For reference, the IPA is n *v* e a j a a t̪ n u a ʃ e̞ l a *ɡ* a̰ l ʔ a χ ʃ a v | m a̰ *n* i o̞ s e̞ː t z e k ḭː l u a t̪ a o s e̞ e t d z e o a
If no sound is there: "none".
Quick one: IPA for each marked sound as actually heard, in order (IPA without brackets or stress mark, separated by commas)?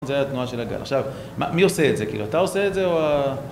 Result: z, ɡ, m